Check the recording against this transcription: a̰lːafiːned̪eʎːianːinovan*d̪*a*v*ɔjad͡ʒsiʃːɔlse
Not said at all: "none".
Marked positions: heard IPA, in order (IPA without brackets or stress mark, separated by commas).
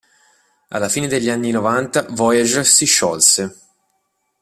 t̪, v